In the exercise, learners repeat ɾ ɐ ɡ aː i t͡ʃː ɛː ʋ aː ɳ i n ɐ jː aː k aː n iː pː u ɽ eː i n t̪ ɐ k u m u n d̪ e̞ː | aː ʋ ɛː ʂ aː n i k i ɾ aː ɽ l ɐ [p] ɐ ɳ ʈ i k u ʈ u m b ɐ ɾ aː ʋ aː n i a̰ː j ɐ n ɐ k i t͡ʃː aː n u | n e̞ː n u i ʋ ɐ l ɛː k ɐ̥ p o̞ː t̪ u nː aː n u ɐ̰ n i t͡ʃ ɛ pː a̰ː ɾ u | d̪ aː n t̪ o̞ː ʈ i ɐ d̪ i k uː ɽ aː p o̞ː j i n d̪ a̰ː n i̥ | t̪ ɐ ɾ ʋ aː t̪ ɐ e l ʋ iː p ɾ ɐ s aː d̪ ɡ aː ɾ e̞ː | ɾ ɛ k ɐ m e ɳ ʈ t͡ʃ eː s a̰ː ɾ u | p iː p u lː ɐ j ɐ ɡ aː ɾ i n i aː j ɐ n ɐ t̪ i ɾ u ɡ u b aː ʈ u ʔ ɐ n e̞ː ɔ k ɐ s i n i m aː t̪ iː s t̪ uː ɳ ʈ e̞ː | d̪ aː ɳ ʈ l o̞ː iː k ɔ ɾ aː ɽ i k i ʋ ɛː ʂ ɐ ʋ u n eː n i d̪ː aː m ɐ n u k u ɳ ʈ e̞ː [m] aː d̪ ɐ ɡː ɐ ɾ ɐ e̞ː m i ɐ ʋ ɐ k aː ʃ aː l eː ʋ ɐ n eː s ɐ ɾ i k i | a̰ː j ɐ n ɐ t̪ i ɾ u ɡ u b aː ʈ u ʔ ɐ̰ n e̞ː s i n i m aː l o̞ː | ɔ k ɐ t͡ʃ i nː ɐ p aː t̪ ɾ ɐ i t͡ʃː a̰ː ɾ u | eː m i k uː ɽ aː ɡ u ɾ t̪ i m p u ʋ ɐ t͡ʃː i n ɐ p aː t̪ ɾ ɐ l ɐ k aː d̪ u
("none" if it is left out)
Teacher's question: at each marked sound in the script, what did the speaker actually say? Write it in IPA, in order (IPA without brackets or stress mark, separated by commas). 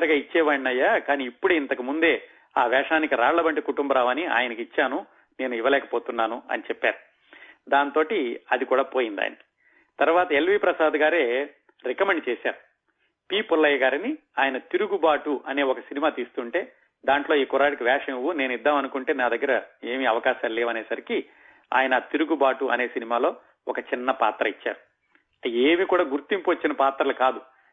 b, n